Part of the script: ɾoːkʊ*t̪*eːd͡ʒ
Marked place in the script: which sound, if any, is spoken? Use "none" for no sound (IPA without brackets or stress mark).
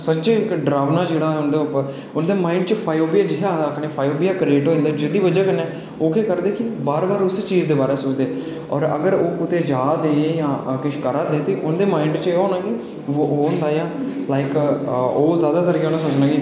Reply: t̪